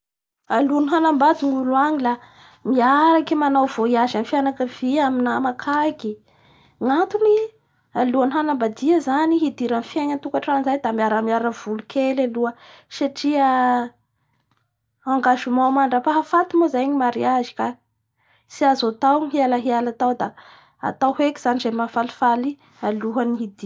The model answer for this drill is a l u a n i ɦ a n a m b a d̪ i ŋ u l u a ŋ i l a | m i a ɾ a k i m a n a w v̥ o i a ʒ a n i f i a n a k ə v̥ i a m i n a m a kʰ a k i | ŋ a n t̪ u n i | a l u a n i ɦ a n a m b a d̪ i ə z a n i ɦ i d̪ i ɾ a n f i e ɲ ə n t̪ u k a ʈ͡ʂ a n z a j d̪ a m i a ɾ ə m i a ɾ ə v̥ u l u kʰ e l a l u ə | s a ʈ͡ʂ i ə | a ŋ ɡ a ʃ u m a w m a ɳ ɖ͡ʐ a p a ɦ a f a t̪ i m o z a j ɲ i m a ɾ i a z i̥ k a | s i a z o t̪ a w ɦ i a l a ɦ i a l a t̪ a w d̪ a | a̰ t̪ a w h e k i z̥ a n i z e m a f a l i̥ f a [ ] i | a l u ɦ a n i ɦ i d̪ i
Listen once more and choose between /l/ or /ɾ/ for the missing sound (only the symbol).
l